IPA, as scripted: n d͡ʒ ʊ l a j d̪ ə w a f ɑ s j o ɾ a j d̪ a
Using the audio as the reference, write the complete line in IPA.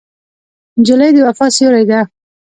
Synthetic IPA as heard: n d͡ʒ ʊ l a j d̪ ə w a f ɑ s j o ɾ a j d̪ a